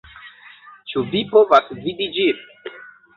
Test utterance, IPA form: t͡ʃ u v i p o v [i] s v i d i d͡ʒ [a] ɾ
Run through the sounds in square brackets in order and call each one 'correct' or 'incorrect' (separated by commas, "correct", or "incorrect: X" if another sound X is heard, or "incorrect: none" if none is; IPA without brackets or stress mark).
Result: incorrect: a, incorrect: i